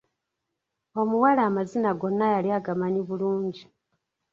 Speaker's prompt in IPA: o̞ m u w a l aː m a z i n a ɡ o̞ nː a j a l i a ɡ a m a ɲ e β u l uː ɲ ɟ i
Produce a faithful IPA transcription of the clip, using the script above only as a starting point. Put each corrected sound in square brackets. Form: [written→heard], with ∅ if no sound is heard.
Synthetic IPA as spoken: o̞ m u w a l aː m a z i n a ɡ o̞ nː a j a l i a ɡ a m a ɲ [e→i] β u l uː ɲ ɟ i